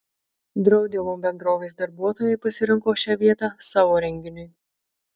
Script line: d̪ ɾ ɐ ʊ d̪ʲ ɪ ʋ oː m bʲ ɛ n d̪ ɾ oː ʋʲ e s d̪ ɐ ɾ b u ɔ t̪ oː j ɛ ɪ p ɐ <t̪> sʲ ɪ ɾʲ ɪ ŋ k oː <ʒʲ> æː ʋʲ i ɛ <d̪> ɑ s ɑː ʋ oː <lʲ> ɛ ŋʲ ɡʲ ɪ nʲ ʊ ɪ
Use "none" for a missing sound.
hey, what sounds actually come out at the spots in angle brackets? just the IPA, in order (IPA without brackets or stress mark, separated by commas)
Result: none, ʃʲ, t̪, ɾʲ